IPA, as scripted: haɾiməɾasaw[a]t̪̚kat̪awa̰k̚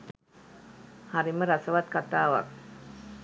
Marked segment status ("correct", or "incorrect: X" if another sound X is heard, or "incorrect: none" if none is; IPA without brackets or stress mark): correct